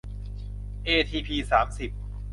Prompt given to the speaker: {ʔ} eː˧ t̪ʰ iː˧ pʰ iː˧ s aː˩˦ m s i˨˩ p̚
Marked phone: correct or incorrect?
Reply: correct